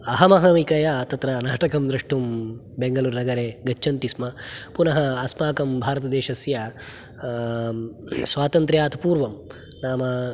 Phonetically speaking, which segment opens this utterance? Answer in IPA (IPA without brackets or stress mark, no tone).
ɐ